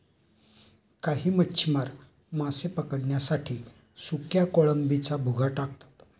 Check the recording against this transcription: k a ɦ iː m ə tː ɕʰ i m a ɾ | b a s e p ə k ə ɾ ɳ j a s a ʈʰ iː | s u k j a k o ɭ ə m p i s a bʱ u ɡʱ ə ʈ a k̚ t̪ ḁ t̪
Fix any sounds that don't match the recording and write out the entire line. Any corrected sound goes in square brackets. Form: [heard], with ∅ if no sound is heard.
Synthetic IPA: k a ɦ iː m ə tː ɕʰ i m a ɾ | [m] a s e p ə k ə [ɽ] ɳ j a s a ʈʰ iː | s u k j a k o ɭ ə m [b] i [t͡s] a bʱ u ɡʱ [a] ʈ a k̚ t̪ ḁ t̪